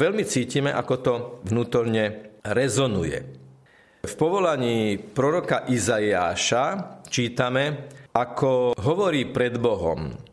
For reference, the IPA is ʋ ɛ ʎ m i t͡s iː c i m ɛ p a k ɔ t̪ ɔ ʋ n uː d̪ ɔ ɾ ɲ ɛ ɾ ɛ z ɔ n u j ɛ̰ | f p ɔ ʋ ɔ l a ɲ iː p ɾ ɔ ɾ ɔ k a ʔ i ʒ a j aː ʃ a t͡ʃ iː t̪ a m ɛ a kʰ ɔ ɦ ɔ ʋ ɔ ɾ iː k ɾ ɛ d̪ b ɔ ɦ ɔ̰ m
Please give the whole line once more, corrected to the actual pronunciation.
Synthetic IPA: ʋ ɛ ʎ m i t͡s iː c i m ɛ ʔ a k ɔ t̪ ɔ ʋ n uː t̪ ɔ ɾ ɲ ɛ ɾ ɛ z ɔ n u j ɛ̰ | f p ɔ ʋ ɔ l a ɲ iː p ɾ ɔ ɾ ɔ k a ʔ i z a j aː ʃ a t͡ʃ iː t̪ a m ɛ a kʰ ɔ ɦ ɔ ʋ ɔ ɾ iː p ɾ ɛ d̪ b ɔ ɦ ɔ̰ m